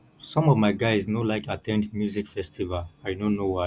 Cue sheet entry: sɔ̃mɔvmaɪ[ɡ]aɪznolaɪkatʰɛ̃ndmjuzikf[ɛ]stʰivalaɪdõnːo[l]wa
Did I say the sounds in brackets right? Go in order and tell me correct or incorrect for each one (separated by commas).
correct, correct, incorrect